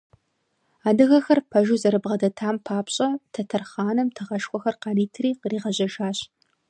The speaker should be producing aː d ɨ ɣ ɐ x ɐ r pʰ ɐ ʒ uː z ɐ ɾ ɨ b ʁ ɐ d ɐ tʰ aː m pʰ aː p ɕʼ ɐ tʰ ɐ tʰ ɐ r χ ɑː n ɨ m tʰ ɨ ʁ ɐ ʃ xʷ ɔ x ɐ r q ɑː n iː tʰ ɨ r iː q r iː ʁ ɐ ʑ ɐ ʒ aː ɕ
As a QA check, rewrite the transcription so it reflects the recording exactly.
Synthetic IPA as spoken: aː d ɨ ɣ ɐ x ɐ r pʰ ɐ ʒ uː z ɐ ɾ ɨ b ʁ ɐ d ɐ tʰ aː m pʰ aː p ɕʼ ɐ tʰ ɐ tʰ ɐ r χ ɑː n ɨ m tʰ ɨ ʁ ɐ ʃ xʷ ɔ x ɐ r q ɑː n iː tʰ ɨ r iː q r iː ʁ ɐ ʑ ɐ ʒ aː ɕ